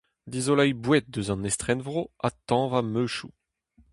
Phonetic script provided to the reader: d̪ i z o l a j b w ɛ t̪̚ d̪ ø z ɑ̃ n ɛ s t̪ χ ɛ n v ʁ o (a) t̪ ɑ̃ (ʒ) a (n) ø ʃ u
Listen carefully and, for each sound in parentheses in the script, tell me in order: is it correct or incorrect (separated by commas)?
correct, incorrect, incorrect